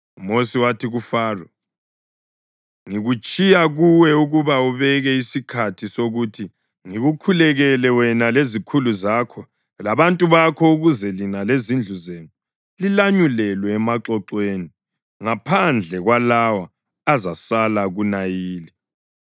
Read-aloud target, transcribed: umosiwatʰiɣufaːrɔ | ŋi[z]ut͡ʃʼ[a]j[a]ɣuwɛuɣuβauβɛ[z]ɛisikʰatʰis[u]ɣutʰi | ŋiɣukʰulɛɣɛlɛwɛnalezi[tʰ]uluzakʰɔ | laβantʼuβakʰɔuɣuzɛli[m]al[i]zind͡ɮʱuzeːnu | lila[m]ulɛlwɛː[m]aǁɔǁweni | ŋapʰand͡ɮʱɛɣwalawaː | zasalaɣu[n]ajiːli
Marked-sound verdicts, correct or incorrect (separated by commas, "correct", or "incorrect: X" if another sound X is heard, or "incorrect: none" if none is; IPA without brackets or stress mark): incorrect: ɣ, incorrect: i, correct, incorrect: ɣ, incorrect: o, incorrect: kʰ, incorrect: n, incorrect: e, incorrect: ɲ, correct, correct